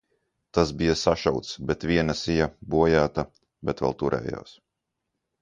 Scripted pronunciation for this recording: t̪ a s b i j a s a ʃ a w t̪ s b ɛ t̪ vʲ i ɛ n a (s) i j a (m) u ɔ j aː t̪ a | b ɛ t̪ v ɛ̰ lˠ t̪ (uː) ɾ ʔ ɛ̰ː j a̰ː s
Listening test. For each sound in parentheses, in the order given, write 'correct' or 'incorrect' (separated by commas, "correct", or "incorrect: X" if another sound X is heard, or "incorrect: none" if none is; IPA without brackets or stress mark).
correct, incorrect: b, incorrect: u